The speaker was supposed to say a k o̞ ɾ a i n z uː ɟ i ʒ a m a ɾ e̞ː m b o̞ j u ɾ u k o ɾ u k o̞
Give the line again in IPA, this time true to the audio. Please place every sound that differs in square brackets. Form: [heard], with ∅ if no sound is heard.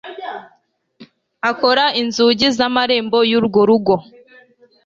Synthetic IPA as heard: a k o̞ ɾ a i n z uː ɟ i [z] a m a ɾ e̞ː m b o̞ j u ɾ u [ɡ] o ɾ u [ɡ] o̞